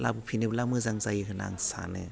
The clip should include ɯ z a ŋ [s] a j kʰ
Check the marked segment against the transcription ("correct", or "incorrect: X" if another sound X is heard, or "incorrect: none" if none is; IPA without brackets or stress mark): incorrect: z